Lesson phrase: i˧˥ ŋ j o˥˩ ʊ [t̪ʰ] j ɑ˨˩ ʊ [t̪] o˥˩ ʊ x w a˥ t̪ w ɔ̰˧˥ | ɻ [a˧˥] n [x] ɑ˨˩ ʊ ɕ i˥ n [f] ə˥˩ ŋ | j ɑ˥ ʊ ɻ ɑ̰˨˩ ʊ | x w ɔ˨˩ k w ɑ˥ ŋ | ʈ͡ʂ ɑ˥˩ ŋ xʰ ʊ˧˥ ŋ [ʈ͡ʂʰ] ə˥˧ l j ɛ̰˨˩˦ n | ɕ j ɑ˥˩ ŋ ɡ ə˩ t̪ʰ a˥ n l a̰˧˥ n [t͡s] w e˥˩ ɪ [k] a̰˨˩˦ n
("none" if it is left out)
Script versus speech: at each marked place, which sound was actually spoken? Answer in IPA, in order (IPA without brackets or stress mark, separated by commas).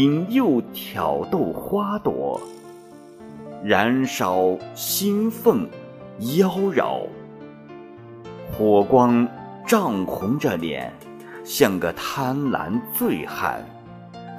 t̪ʰ, t̪, a˧˥, ʂ, f, ʈ͡ʂ, t͡s, x